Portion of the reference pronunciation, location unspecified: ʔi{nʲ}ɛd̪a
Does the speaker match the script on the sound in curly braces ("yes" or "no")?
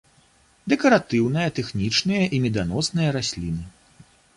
no